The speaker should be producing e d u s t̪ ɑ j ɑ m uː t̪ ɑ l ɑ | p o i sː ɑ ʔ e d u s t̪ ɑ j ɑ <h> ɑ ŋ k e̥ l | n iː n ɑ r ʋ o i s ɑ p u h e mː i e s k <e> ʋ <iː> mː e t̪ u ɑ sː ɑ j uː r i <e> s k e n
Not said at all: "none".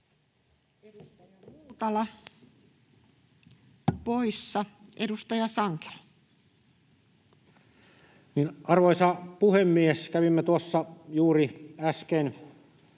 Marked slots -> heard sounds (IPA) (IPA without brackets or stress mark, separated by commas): s, æ, i, æ